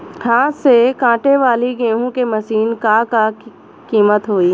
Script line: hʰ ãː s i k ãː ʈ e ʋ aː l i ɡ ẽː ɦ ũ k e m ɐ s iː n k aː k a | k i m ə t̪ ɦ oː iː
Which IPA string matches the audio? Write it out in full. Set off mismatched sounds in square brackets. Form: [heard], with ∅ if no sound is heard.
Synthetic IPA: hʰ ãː s [e] k ãː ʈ e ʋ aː l i ɡ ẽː ɦ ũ k e m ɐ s iː n k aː k a | k [iː] m ə t̪ ɦ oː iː